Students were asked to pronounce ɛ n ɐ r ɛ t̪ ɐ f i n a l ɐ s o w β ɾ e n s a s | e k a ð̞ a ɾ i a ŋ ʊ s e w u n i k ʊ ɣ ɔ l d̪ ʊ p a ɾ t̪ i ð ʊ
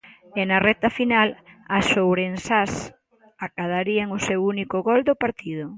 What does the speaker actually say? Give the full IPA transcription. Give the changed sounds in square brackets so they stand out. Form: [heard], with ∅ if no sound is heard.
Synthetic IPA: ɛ n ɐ r ɛ t̪ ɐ f i n a l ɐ s o w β ɾ e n s a s | [a] k a ð̞ a ɾ i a ŋ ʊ s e w u n i k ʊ ɣ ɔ l d̪ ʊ p a ɾ t̪ i ð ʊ